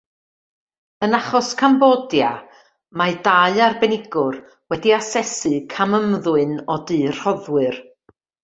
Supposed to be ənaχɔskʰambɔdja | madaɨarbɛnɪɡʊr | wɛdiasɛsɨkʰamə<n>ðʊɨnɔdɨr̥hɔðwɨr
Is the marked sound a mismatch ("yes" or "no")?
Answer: yes